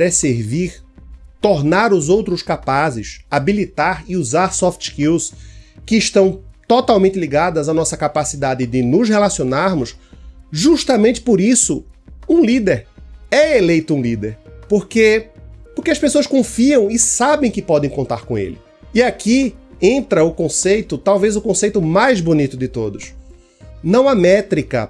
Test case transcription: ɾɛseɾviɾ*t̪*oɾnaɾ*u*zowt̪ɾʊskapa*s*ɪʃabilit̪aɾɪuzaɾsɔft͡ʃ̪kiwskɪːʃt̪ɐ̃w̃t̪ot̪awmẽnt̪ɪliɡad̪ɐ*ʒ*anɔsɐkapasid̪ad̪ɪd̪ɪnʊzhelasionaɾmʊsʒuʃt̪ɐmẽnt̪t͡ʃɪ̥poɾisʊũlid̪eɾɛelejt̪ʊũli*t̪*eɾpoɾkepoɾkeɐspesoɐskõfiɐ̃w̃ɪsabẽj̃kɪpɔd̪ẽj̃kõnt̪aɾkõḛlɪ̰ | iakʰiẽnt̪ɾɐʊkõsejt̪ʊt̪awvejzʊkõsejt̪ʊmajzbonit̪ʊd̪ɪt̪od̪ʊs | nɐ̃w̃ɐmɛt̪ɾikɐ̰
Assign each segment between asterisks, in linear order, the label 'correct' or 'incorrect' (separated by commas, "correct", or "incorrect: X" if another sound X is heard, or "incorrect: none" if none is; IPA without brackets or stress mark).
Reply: correct, incorrect: ʊ, incorrect: z, incorrect: z, incorrect: d̪